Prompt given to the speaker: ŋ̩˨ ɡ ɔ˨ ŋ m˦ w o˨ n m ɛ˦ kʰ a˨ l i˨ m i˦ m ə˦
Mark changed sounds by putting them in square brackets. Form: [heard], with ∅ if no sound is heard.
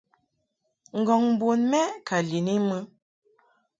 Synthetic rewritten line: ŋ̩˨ ɡ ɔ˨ ŋ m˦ [b] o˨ n m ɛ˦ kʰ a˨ l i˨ [n] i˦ m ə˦